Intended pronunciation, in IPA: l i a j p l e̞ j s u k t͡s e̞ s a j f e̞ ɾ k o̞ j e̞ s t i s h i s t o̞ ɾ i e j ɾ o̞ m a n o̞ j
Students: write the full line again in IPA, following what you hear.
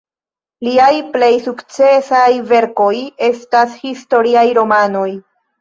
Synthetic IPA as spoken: l i a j p l e̞ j s u k t͡s e̞ s a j v e̞ ɾ k o̞ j e̞ s t a s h i s t o̞ ɾ i a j ɾ o̞ m a n o̞ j